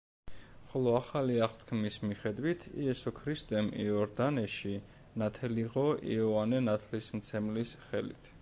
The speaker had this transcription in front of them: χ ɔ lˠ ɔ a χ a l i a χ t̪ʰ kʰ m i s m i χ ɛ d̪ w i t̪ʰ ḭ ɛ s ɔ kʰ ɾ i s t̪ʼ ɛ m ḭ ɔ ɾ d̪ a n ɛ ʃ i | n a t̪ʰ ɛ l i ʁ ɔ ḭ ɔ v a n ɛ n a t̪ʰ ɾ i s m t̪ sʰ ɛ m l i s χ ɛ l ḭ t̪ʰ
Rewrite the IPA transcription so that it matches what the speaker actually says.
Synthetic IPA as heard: χ ɔ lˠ ɔ a χ a l i a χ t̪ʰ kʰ m i s m i χ ɛ d̪ w i t̪ʰ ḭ ɛ s ɔ kʰ ɾ i s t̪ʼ ɛ m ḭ ɔ ɾ d̪ a n ɛ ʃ i | n a t̪ʰ ɛ l i ʁ ɔ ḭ ɔ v a n ɛ n a t̪ʰ l i s m t̪ sʰ ɛ m l i s χ ɛ l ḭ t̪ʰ